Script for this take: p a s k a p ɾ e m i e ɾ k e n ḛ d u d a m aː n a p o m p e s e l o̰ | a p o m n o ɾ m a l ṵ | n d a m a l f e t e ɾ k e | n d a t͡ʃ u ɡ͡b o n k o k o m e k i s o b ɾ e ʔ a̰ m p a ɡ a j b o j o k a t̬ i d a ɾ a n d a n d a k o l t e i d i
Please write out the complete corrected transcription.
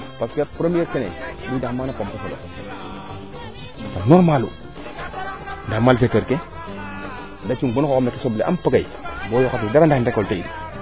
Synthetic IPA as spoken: p a s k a p ɾ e m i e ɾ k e n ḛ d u d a m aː n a p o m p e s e l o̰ | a p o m n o ɾ m a l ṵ | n d a m a l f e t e ɾ k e | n d a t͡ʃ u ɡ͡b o n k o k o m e k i s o b l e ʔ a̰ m p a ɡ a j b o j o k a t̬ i d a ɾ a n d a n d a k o l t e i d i